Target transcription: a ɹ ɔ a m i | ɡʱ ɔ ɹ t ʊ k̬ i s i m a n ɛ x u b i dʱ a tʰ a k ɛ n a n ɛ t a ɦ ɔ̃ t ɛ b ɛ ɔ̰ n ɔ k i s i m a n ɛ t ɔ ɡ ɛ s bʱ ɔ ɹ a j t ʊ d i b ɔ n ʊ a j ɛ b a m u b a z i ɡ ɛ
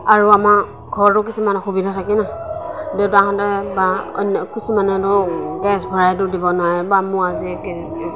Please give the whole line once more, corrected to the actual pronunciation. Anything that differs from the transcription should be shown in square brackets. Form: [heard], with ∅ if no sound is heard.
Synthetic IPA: a ɹ [u] a m [a] | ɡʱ ɔ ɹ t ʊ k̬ i s i m a n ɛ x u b i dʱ a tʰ a k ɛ n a [d] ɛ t a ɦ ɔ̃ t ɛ b [a] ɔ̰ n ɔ k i s i m a n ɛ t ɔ ɡ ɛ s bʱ ɔ ɹ a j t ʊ d i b ɔ n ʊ a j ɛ b a m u [∅] a z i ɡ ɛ